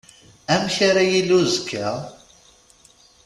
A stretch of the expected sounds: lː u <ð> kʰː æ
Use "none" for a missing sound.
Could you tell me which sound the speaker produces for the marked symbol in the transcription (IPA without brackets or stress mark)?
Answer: z